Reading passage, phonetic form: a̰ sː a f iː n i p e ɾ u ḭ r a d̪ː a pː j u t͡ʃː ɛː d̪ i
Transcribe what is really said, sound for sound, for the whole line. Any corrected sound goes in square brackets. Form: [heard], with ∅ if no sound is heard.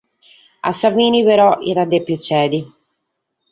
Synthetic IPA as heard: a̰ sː a [v] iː n i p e ɾ [ɔ] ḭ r a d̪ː [e] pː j u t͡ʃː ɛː d̪ i